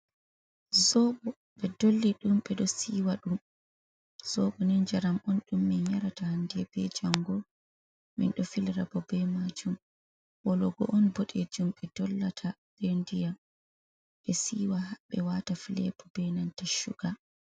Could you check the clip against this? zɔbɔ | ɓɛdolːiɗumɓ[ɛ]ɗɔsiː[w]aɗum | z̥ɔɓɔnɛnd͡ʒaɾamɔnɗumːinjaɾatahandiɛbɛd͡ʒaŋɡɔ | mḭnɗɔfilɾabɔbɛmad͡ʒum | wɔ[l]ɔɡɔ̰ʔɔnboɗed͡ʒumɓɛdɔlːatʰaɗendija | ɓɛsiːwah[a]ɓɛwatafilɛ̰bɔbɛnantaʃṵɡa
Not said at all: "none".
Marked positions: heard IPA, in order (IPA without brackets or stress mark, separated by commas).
ɛ, w, l, a